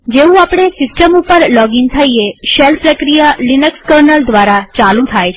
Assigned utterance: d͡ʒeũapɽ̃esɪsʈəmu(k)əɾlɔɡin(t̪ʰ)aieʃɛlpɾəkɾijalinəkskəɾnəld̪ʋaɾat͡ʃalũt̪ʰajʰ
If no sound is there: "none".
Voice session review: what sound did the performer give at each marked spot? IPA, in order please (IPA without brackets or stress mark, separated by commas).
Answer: p, t̪ʰ